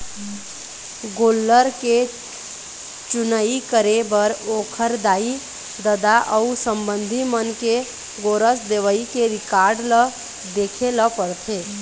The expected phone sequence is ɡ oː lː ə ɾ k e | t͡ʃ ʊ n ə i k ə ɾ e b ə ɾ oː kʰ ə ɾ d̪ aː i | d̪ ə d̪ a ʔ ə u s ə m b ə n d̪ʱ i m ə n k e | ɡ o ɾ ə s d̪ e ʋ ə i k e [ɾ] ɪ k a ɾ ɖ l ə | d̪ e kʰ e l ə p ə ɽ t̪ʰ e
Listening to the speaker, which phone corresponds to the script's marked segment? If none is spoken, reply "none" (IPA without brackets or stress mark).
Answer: ɾ